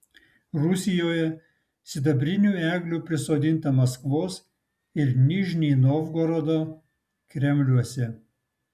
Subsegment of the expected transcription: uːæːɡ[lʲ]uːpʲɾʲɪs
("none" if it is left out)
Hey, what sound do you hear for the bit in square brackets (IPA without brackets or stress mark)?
lʲ